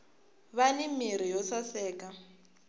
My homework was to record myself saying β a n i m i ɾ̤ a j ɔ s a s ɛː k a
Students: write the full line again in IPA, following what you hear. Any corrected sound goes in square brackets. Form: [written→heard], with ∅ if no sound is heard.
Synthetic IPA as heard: β a n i m i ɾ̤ [a→i] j ɔ s a s ɛː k a